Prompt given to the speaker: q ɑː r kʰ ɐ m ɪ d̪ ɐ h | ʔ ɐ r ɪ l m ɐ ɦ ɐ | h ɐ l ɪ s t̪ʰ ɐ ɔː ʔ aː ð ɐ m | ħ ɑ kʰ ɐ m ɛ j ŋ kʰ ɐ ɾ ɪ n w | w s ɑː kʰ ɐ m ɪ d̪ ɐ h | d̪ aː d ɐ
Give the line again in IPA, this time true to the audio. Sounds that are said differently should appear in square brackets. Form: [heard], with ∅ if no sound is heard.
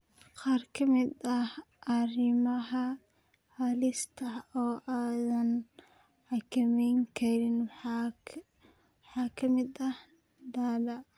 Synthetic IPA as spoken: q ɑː r kʰ ɐ m ɪ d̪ ɐ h | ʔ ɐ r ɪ [∅] m ɐ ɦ ɐ | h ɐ l ɪ s t̪ʰ ɐ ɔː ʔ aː ð ɐ [n] | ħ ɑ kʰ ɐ m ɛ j ŋ kʰ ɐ ɾ ɪ n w | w [ħ] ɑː kʰ ɐ m ɪ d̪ ɐ h | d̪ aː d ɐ